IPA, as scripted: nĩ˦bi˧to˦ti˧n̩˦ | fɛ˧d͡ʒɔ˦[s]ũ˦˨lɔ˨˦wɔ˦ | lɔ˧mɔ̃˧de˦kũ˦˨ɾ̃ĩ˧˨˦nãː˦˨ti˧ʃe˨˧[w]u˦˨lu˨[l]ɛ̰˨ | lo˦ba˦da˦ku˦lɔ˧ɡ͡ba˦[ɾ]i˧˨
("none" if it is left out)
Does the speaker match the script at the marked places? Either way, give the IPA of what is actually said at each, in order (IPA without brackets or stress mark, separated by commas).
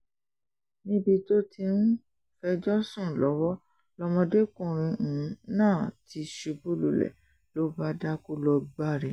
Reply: s, b, l, ɾ